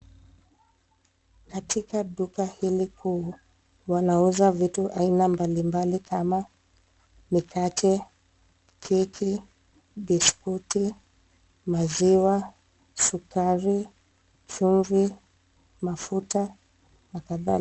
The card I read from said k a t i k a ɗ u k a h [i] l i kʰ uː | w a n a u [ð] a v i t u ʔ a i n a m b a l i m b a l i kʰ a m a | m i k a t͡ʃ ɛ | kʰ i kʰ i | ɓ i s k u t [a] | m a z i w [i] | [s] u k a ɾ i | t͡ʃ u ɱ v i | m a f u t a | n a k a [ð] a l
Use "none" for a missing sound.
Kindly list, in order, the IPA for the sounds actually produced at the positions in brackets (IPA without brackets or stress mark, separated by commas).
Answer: i, z, i, a, s, ð